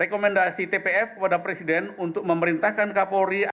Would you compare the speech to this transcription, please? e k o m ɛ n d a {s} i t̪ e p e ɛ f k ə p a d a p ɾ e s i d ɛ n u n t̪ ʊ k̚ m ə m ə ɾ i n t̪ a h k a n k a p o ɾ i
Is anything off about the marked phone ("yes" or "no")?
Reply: no